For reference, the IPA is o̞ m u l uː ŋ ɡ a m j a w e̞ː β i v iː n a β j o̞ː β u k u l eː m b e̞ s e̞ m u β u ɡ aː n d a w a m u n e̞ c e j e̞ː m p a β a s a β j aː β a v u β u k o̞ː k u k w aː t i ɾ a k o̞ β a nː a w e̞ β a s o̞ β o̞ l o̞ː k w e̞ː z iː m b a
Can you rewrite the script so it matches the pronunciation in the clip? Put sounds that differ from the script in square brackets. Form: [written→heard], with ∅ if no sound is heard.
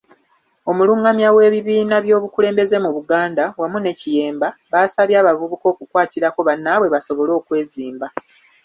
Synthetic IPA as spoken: o̞ m u l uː ŋ ɡ a m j a w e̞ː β i [v→β] iː n a β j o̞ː β u k u l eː m b e̞ [s→z] e̞ m u β u ɡ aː n d a w a m u n e̞ c [e→i] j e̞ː m [p→b] a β a s a β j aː β a v u β u k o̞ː k u k w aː t i ɾ a k o̞ β a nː a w e̞ β a s o̞ β o̞ l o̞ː k w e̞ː z iː m b a